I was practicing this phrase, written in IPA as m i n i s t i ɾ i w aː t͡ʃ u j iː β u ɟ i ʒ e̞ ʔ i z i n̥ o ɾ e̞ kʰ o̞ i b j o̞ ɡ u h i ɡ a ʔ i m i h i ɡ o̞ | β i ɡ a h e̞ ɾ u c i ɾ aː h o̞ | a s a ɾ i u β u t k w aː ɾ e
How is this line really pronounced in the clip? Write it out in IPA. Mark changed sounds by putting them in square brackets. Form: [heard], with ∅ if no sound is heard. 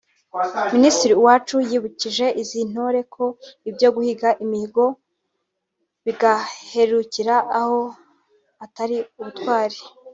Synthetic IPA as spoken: m i n i s t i ɾ i w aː t͡ʃ u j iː β u [c] i ʒ e̞ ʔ i z i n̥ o ɾ e̞ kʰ o̞ i b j o̞ ɡ u h i ɡ a ʔ i m i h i ɡ o̞ | β i ɡ a h e̞ ɾ u c i ɾ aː h o̞ | a [t] a ɾ i u β u t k w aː ɾ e